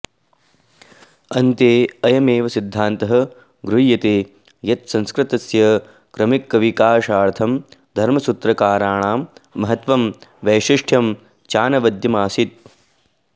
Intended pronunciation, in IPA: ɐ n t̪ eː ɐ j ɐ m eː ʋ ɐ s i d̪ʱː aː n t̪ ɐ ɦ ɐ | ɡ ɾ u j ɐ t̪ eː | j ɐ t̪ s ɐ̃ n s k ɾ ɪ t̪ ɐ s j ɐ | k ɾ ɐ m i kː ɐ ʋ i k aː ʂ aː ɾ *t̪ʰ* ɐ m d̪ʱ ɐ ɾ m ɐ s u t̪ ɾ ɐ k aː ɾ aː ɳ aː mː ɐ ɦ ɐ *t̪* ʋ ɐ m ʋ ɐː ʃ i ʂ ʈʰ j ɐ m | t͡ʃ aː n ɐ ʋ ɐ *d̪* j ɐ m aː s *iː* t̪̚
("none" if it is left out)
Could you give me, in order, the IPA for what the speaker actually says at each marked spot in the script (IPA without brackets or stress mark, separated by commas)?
t̪ʰ, t̪, d̪, i